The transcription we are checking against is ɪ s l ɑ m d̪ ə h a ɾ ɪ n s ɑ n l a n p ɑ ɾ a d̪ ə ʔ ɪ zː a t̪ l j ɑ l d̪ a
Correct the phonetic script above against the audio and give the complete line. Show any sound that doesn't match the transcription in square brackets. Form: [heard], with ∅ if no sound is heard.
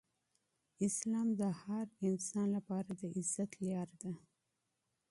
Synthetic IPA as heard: ɪ s l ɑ m d̪ ə h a ɾ ɪ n s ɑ n l a [∅] p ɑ ɾ a d̪ ə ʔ ɪ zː a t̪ l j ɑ [ɾ] d̪ a